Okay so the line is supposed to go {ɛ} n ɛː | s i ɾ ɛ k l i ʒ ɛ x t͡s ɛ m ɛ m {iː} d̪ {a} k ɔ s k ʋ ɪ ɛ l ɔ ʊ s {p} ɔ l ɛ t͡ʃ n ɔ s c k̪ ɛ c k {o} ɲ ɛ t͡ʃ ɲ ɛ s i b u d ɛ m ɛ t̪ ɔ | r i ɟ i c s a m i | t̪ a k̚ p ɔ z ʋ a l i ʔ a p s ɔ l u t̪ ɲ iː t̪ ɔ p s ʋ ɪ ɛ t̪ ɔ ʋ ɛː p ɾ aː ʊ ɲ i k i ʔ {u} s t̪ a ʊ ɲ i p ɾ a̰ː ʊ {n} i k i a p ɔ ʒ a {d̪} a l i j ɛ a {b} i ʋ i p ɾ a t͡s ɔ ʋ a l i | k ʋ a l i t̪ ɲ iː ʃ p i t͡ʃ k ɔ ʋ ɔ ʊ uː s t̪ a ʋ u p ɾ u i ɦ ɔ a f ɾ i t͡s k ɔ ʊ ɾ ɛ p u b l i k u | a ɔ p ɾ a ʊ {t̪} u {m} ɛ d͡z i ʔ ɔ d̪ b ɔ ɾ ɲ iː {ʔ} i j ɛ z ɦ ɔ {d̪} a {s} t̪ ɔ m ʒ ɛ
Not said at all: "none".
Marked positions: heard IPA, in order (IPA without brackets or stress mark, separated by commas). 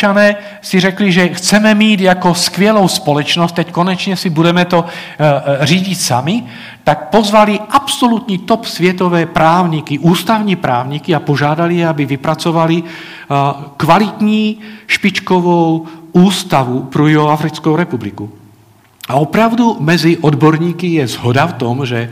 a, iː, a, p, ɔ, uː, ɲ, d̪, b, d̪, m, k, d̪, f